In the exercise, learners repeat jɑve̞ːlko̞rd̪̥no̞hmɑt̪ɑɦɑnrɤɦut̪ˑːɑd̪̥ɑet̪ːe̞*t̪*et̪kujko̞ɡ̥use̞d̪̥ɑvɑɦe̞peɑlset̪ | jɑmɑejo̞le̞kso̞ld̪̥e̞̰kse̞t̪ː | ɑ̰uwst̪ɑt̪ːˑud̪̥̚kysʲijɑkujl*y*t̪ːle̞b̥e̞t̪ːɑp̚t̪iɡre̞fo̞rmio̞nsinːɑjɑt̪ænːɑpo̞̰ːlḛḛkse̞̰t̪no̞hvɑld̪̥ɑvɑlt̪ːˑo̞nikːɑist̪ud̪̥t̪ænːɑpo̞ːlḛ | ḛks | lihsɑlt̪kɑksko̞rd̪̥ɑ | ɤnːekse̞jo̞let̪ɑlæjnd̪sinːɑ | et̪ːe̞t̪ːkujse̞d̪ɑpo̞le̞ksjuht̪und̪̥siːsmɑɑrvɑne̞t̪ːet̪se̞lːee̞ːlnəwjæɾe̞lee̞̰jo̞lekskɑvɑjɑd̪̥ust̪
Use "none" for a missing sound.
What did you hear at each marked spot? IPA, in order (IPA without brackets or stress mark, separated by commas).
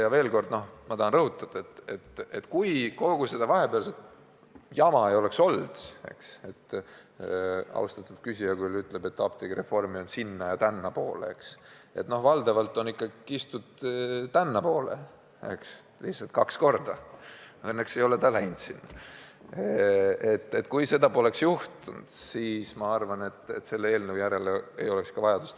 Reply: t̪, y